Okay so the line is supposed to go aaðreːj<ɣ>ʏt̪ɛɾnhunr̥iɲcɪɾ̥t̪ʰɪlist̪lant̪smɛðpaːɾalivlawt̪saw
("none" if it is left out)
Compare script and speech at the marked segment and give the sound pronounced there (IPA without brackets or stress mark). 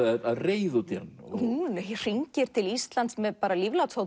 ð